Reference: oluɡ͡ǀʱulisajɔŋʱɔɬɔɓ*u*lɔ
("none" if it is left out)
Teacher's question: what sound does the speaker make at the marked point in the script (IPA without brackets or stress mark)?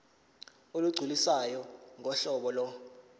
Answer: ɔ